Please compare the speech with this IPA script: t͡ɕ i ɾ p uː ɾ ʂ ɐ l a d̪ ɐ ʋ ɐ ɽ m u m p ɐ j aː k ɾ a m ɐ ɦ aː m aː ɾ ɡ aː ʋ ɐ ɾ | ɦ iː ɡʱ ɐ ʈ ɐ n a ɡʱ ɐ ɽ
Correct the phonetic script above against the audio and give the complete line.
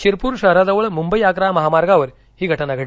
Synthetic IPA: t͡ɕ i ɾ p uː ɾ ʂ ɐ ɾ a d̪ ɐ ʋ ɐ ɭ m u m b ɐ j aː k ɾ a m ɐ ɦ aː m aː ɾ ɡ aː ʋ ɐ ɾ | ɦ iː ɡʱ ɐ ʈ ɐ n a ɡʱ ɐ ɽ

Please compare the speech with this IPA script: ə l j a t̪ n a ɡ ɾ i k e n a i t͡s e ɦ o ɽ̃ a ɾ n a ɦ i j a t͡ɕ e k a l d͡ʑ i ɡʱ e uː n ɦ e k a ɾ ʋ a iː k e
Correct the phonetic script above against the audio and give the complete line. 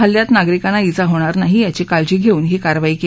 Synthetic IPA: ə l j a t̪ n a ɡ ɾ i k a n a i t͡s a ɦ o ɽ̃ a ɾ n a ɦ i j a t͡ɕ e k a l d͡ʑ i ɡʱ e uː n ɦ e k a ɾ ʋ a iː k e

